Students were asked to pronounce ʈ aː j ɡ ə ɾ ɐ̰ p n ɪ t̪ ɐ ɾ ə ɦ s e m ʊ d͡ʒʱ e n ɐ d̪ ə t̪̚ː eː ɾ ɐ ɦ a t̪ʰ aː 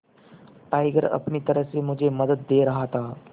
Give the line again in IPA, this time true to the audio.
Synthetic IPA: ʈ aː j ɡ ə ɾ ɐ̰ p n i t̪ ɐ ɾ ə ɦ s e m ʊ d͡ʒʱ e m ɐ d̪ ə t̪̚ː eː ɾ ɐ ɦ a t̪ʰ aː